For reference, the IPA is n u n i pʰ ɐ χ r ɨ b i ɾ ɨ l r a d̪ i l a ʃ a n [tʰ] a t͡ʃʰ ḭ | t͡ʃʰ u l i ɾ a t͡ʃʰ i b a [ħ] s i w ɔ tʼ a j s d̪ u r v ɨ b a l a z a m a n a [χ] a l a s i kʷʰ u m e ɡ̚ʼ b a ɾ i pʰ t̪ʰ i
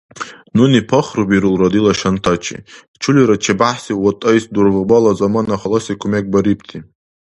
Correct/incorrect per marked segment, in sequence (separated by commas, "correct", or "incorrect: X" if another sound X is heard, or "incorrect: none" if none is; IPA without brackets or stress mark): correct, correct, correct